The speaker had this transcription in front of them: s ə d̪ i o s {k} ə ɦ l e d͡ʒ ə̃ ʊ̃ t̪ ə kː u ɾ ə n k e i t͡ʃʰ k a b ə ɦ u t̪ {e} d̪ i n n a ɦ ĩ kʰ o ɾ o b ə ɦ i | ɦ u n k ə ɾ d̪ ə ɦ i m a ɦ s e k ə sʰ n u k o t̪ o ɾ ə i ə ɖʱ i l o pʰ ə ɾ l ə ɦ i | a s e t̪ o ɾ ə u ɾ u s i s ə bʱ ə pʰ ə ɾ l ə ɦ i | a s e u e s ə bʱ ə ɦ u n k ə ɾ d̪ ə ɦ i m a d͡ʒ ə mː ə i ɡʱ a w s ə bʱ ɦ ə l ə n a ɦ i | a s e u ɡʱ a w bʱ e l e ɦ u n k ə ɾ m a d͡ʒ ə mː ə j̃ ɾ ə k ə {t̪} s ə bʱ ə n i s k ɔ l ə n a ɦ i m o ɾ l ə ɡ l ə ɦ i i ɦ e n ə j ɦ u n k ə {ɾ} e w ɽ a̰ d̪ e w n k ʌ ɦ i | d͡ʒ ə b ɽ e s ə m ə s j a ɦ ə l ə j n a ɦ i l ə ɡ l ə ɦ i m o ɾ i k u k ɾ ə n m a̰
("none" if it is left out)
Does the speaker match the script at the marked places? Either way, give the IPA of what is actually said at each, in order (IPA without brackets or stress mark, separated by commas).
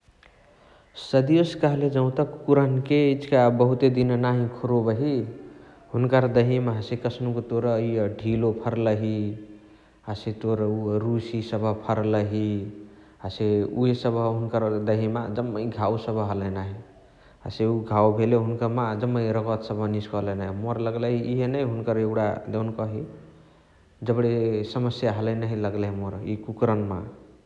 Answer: k, e, t̪, ɾ